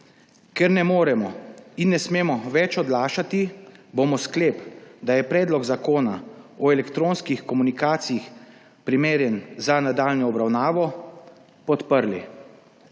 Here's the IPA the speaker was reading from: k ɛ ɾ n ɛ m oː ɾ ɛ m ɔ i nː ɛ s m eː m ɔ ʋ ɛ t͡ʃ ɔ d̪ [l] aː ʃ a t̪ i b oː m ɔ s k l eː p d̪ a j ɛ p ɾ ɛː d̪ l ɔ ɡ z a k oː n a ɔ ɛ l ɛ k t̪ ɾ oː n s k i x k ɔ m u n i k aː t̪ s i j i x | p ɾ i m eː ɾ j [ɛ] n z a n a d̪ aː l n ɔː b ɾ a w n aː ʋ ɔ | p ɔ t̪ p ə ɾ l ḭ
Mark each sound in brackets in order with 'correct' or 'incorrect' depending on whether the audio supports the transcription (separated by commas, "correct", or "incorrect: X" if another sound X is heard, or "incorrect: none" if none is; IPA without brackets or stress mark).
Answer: correct, correct